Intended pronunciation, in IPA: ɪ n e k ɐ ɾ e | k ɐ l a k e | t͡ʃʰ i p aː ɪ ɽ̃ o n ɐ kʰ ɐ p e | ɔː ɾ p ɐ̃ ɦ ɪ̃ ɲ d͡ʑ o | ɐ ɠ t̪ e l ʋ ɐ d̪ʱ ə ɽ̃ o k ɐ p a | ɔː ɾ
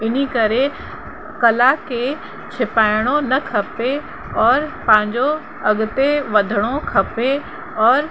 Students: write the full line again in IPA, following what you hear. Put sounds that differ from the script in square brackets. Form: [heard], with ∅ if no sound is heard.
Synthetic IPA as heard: ɪ n [i] k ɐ ɾ e | k ɐ l a k e | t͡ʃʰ [ɪ] p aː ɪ ɽ̃ o n ɐ kʰ ɐ p e | ɔː ɾ p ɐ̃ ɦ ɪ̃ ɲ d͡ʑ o | ɐ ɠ t̪ e [∅] ʋ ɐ d̪ʱ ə ɽ̃ o [kʰ] ɐ p [e] | ɔː ɾ